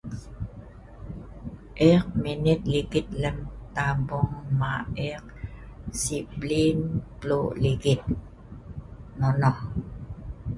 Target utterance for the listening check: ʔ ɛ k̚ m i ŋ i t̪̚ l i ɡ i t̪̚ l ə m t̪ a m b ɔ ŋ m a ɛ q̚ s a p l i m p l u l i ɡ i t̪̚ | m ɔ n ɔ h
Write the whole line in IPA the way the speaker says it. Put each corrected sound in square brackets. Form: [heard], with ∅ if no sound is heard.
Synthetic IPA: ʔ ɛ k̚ m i [n] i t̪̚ l i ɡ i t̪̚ l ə m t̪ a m b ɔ ŋ m a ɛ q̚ s [i] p l i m p l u l i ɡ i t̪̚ | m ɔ n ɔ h

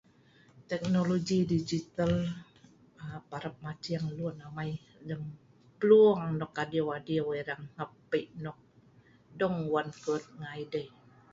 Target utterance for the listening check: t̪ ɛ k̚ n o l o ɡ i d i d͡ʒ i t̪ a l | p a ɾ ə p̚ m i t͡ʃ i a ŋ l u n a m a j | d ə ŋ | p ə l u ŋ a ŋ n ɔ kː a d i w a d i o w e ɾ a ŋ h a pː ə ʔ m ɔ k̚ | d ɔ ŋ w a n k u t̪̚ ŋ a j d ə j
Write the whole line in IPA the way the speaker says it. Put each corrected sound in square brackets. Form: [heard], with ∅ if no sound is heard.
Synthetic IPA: t̪ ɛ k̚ n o l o ɡ i d i d͡ʒ i t̪ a l | p a ɾ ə p̚ m [a] t͡ʃ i a ŋ l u n a m a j | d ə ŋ | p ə l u ŋ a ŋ n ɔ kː a d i w a d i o w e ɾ a ŋ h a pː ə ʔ [n] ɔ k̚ | d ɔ ŋ w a n k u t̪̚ ŋ a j d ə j

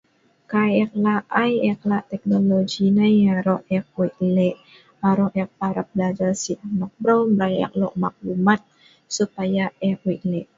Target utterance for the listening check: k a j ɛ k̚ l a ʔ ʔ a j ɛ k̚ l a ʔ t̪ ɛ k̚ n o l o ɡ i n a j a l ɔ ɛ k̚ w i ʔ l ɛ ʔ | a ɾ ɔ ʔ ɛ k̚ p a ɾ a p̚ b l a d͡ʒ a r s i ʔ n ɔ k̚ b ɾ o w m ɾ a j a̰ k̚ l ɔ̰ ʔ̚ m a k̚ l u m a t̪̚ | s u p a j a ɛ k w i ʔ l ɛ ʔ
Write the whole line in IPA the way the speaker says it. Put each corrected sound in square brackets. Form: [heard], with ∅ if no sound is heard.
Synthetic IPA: k a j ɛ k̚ l a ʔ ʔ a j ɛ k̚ l a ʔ t̪ ɛ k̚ n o l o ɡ i n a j a [ɾ] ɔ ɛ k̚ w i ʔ l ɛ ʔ | a ɾ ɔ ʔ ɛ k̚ p a ɾ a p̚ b l a d͡ʒ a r s i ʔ n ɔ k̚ b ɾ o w m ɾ a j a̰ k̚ l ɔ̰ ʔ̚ m a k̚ l u m a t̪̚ | s u p a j a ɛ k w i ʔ l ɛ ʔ

